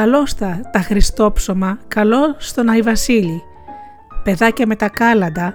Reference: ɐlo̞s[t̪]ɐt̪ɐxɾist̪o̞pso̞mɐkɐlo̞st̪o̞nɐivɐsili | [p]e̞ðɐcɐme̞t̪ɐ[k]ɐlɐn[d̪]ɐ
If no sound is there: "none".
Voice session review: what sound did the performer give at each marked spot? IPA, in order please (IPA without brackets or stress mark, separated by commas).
t̪, p, k, d̪